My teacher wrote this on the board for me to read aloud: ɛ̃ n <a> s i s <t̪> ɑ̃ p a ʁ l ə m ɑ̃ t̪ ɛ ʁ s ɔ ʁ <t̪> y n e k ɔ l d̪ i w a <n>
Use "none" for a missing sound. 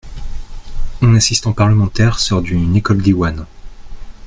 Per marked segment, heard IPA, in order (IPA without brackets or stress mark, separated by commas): a, t̪, d̪, n